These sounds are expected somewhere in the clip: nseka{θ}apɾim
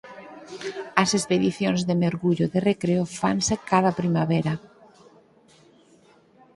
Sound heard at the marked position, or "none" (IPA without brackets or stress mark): ð